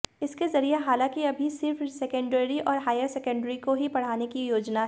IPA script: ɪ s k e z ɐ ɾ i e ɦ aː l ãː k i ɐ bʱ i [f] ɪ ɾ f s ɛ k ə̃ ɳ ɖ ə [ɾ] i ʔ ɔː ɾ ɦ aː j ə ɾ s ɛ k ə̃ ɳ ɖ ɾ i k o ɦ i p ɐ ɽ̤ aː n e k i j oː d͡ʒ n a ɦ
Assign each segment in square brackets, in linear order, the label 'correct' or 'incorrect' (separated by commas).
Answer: incorrect, correct